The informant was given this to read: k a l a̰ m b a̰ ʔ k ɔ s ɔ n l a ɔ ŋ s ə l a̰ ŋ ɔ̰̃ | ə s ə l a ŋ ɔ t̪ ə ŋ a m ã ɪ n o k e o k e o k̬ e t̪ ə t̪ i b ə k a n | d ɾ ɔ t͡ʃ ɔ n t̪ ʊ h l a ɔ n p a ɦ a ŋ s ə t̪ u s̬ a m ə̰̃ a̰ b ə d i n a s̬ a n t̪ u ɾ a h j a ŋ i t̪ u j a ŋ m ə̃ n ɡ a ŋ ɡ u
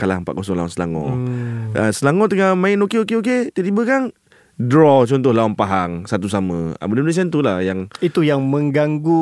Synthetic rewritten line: k a l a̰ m p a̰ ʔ k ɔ s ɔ ŋ l a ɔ n s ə l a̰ ŋ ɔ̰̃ | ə s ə l a ŋ ɔ t̪ ə ŋ a m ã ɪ n o k e o k e o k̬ e t̪ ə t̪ i b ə k a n | d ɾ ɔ t͡ʃ ɔ n t̪ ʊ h l a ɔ n p a ɦ a ŋ s a t̪ u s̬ a m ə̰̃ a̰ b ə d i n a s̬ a n t̪ u l a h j a ŋ i t̪ u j a ŋ m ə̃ ŋ ɡ a ŋ ɡ u